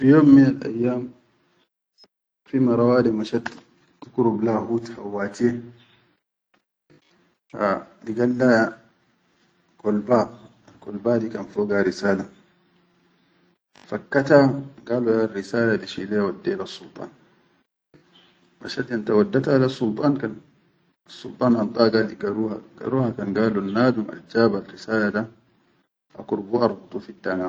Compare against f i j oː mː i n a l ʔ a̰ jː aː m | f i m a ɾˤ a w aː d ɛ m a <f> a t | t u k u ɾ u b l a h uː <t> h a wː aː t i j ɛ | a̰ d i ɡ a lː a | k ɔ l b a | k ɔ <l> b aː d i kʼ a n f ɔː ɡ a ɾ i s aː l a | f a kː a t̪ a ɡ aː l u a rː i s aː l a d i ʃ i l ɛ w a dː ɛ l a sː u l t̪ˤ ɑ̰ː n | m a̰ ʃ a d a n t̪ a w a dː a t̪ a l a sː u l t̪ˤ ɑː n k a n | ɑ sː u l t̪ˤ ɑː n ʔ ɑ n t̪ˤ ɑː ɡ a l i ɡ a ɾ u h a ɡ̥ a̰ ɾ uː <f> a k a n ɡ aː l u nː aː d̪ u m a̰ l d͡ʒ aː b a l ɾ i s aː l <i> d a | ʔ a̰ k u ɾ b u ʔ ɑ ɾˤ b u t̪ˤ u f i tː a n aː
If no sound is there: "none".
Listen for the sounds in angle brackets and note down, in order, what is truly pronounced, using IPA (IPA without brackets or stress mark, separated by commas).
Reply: ʃ, t, l, h, a